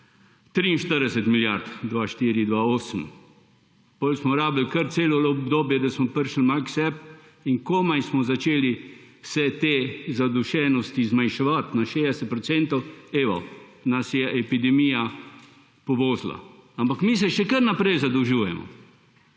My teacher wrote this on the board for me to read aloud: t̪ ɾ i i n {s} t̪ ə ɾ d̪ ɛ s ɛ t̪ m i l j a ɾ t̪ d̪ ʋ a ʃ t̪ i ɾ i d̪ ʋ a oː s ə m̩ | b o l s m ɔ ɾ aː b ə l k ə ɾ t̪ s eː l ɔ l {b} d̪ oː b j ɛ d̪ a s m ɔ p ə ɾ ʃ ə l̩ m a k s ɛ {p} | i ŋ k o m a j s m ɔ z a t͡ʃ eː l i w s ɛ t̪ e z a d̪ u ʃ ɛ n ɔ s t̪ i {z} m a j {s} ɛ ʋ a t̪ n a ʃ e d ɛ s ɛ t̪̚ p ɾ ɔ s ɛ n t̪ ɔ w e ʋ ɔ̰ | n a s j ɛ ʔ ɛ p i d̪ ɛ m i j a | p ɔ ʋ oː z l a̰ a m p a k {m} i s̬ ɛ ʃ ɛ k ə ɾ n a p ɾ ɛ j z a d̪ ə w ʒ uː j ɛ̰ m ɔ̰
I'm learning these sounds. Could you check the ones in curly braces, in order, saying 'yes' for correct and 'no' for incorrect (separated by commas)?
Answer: no, yes, yes, yes, no, yes